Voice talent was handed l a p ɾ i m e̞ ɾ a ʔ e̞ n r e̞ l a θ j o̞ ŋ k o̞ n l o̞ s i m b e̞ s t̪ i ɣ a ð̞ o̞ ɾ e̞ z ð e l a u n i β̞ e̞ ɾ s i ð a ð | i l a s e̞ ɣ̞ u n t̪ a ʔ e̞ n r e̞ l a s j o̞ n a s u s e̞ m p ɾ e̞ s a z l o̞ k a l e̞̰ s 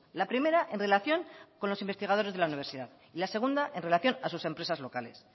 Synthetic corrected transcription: l a p ɾ i m e̞ ɾ a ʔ e̞ n r e̞ l a θ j o̞ ŋ k o̞ n l o̞ s i m b e̞ s t̪ i ɣ a ð̞ o̞ ɾ e̞ z ð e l a u n i β̞ e̞ ɾ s i ð a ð | i l a s e̞ ɣ̞ u n d̪ a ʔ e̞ n r e̞ l a θ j o̞ n a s u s e̞ m p ɾ e̞ s a z l o̞ k a l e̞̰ s